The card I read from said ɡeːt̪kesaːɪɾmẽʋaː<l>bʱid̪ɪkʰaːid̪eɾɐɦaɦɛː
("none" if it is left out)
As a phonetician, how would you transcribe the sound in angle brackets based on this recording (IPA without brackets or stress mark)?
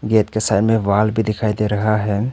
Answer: l